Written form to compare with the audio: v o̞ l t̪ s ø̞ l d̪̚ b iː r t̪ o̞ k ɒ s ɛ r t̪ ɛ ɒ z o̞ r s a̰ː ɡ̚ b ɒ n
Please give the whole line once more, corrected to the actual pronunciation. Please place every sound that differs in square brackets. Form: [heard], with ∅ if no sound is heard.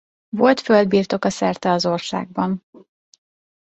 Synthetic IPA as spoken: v o̞ l t̪ [f] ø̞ l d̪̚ b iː r t̪ o̞ k ɒ s ɛ r t̪ ɛ ɒ z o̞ r s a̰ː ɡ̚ b ɒ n